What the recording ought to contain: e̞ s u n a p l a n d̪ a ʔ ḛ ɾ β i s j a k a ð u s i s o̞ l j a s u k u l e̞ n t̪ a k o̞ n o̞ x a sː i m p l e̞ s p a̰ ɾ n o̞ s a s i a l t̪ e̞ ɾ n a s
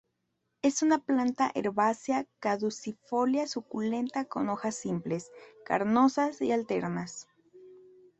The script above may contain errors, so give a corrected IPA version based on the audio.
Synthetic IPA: e̞ s u n a p l a n t̪ a ʔ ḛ ɾ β a s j a k a ð u s i f o̞ l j a s u k u l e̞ n t̪ a k o̞ n o̞ x a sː i m p l e̞ s k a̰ ɾ n o̞ s a s i a l t̪ e̞ ɾ n a s

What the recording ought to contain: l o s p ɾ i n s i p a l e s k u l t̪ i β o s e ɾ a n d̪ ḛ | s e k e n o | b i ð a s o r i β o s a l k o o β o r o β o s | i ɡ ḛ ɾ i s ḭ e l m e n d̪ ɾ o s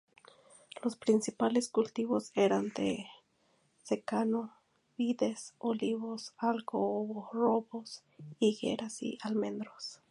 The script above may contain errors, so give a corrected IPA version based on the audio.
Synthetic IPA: l o s p ɾ i n s i p a l e s k u l t̪ i β o s e ɾ a n d̪ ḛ | s e k a n o | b i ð e s o l i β o s a l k o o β o r o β o s | i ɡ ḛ ɾ a s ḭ a l m e n d̪ ɾ o s

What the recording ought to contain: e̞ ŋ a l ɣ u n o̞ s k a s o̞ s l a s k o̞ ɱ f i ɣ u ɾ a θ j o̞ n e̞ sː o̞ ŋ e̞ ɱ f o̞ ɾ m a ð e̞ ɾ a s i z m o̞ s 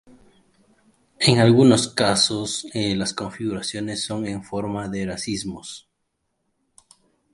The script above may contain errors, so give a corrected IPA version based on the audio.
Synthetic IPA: e̞ ŋ a l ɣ u n o̞ s k a s o̞ s l a s k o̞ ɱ f i ɣ u ɾ a s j o̞ n e̞ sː o̞ ŋ e̞ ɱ f o̞ ɾ m a ð e̞ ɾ a s i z m o̞ s

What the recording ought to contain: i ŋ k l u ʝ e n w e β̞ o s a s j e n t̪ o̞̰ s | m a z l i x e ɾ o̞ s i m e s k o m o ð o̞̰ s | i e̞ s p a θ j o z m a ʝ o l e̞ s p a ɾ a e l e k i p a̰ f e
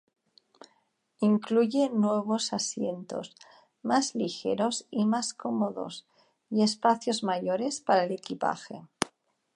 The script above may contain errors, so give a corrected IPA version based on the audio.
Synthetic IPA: i ŋ k l u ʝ e n w e β̞ o s a s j e n t̪ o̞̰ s | m a z l i x e ɾ o̞ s i m a s k o m o ð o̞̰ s | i e̞ s p a θ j o z m a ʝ o ɾ e̞ s p a ɾ a e l e k i p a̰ x e

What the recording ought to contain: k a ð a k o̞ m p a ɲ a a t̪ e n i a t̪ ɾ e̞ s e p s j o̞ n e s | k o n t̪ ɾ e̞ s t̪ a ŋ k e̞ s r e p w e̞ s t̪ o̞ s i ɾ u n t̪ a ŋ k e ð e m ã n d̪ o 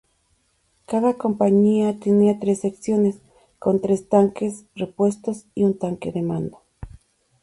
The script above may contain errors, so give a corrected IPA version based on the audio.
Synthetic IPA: k a ð a k o̞ m p a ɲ i a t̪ e n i a t̪ ɾ e̞ s e k s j o̞ n e s | k o n t̪ ɾ e̞ s t̪ a ŋ k e̞ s r e p w e̞ s t̪ o̞ s i u n t̪ a ŋ k e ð e m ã n d̪ o

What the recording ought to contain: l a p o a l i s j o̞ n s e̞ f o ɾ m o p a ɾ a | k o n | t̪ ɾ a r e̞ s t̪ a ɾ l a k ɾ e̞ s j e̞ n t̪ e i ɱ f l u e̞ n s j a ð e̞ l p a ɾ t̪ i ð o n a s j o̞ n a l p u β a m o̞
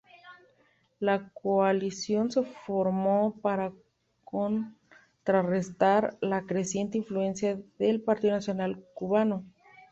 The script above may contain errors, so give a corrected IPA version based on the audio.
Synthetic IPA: l a k o a l i s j o̞ n s e̞ f o ɾ m o p a ɾ a | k o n | t̪ ɾ a r e̞ s t̪ a ɾ l a k ɾ e̞ s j e̞ n t̪ e i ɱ f l u e̞ n s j a ð e̞ l p a ɾ t̪ i ð o n a s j o̞ n a l k u β a n o̞

